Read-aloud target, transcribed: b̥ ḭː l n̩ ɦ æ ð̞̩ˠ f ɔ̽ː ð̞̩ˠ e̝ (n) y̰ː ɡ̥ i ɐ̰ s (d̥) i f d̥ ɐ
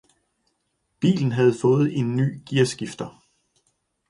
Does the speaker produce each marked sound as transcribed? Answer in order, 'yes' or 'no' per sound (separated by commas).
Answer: no, no